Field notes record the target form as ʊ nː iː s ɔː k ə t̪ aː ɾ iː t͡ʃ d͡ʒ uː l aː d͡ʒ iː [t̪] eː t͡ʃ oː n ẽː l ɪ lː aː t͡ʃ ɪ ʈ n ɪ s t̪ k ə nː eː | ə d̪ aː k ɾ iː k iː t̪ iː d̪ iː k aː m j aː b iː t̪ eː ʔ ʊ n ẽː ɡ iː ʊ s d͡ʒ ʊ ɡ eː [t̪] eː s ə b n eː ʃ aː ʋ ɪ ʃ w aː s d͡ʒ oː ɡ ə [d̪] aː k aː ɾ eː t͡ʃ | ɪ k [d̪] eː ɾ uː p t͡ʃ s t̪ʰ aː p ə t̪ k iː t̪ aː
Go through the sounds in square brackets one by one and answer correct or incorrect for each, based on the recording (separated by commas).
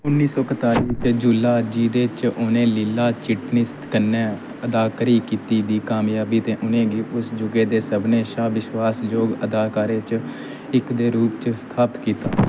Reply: incorrect, incorrect, correct, correct